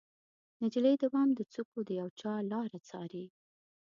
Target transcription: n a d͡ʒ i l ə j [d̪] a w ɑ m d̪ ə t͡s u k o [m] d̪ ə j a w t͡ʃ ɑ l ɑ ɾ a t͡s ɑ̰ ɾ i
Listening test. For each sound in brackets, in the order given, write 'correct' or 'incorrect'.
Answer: correct, incorrect: none

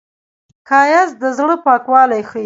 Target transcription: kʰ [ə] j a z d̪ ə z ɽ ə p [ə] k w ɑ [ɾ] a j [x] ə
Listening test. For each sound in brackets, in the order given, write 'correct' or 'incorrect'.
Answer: incorrect: ɑ, incorrect: ɑ, incorrect: l, correct

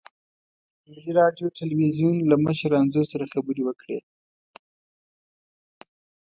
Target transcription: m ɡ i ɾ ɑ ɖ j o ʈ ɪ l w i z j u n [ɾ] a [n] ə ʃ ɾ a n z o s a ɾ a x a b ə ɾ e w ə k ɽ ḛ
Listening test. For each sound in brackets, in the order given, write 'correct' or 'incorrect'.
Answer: incorrect: l, incorrect: m

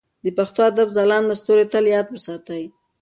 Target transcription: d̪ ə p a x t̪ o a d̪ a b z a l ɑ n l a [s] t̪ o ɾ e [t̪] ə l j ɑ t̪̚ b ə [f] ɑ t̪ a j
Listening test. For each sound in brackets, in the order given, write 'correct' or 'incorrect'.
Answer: correct, correct, incorrect: s

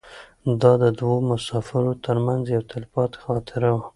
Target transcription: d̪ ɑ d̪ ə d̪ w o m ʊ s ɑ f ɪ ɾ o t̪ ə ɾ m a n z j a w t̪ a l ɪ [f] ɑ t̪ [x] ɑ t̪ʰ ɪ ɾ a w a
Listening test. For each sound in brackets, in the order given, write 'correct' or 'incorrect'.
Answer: correct, correct

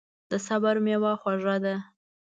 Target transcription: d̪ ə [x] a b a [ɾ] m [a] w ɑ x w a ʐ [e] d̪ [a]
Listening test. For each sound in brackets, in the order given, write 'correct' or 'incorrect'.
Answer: incorrect: s, correct, incorrect: e, incorrect: a, correct

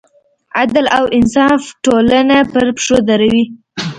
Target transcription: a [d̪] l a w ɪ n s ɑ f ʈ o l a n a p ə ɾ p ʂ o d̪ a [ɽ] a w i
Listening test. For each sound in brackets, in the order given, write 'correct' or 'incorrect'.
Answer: correct, incorrect: ɾ

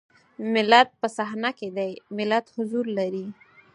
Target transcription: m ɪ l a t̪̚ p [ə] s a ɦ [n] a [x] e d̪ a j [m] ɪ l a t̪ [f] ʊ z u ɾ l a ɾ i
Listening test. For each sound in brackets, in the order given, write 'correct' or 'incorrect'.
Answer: correct, correct, incorrect: k, correct, incorrect: h

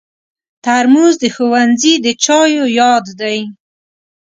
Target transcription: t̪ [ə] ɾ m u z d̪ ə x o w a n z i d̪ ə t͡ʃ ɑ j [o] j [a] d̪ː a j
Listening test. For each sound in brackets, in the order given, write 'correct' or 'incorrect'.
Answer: incorrect: a, correct, incorrect: ɑ

